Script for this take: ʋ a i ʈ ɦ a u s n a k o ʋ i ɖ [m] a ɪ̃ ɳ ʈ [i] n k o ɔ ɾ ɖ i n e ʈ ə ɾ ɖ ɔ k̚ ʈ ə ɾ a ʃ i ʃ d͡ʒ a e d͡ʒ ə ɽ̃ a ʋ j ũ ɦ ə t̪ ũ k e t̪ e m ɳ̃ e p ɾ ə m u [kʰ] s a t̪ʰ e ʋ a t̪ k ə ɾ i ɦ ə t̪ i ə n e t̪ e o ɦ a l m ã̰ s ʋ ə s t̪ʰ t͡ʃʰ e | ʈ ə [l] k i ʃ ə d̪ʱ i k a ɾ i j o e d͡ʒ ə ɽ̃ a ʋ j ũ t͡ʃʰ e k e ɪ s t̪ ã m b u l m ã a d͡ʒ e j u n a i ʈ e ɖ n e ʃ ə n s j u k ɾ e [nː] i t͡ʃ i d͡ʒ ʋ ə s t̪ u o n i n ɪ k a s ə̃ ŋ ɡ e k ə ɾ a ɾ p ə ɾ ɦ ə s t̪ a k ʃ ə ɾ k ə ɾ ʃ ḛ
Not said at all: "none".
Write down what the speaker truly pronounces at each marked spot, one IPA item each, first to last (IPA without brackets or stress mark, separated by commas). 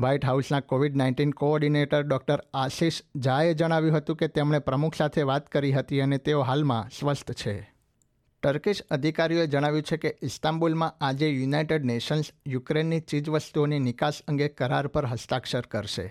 n, i, kʰ, ɾ, nː